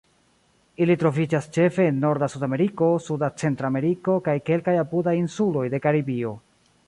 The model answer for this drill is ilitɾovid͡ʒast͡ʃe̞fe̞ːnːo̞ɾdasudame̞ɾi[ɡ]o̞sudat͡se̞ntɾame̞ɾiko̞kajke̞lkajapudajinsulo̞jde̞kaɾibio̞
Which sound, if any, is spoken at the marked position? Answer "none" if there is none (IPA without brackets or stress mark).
k